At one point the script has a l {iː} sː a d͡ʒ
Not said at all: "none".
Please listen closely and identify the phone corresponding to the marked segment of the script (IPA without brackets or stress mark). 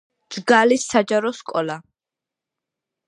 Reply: i